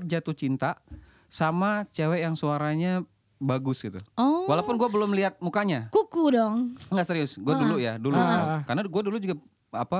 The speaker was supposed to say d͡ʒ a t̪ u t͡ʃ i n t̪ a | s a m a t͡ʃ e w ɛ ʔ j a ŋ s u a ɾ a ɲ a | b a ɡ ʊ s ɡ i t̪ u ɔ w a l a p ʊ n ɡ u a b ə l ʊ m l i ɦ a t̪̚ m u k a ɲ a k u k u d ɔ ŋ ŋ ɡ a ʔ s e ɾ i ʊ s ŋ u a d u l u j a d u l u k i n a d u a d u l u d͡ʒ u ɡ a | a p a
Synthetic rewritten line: d͡ʒ a t̪ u t͡ʃ i n t̪ a | s a m a t͡ʃ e w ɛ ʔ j a ŋ s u a ɾ a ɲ a | b a ɡ ʊ s ɡ i t̪ u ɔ w a l a p ʊ n ɡ u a b ə l ʊ m l i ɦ a t̪̚ m u k a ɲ a k u k u d ɔ ŋ ŋ ɡ a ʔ s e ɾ i ʊ s ɡ u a d u l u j a d u l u k a n a ɡ u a d u l u d͡ʒ u ɡ a | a p a